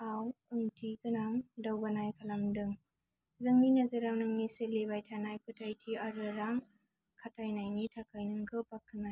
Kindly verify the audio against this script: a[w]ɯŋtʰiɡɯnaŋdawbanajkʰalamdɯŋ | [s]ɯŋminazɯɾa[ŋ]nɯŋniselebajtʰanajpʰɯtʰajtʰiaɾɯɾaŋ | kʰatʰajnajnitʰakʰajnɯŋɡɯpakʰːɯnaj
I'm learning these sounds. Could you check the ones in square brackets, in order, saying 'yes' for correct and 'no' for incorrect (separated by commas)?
yes, no, yes